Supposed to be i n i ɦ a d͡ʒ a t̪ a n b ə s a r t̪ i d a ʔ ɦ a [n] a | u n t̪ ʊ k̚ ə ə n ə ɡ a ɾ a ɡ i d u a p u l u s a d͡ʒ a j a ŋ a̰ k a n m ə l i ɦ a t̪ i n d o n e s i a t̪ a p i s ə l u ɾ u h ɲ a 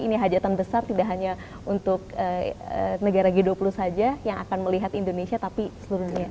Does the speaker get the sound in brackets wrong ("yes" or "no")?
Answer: yes